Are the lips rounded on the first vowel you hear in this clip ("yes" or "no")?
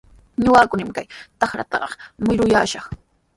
yes